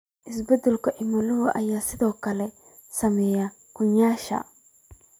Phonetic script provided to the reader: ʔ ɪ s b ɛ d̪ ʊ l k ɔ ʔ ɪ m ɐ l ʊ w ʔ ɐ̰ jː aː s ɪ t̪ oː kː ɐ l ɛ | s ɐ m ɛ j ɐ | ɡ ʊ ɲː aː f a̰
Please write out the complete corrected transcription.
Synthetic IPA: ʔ ɪ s b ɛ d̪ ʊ l k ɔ ʔ ɪ m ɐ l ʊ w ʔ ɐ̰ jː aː s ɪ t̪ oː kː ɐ l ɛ | s ɐ m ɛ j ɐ | k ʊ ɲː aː ʃ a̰